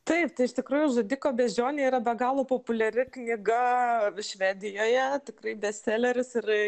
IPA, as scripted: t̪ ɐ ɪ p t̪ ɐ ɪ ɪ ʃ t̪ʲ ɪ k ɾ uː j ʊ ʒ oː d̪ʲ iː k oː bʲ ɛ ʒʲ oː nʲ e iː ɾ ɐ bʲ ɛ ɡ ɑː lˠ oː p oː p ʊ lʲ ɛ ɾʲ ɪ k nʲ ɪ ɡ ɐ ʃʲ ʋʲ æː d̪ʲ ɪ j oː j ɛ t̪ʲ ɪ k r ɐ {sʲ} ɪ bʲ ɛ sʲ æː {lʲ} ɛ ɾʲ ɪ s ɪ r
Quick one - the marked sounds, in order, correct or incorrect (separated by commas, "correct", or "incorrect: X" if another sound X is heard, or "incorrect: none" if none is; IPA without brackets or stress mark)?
incorrect: none, correct